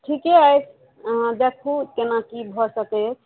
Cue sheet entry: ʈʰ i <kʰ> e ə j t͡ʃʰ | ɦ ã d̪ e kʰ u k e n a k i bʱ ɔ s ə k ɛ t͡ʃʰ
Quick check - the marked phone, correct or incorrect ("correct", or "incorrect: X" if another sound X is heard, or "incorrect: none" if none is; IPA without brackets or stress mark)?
incorrect: k